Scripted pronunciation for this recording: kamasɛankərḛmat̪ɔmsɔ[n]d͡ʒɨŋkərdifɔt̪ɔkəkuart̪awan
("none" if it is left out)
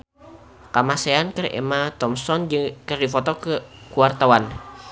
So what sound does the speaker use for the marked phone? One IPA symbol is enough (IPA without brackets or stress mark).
n